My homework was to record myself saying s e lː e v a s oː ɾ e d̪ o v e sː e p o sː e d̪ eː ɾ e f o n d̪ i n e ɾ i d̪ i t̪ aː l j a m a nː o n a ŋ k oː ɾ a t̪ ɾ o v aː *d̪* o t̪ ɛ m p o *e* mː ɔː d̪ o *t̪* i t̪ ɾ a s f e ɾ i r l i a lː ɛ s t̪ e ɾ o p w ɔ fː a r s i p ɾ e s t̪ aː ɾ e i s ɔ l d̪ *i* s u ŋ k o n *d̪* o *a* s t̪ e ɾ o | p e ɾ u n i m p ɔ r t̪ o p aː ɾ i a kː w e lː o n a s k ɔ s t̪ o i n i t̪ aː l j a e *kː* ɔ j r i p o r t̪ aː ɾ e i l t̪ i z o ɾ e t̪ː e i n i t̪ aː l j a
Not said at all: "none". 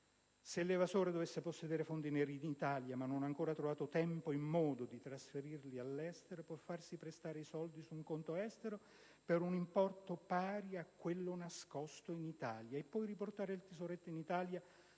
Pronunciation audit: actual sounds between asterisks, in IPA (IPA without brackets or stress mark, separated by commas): t̪, i, d̪, i, t̪, ɛ, pː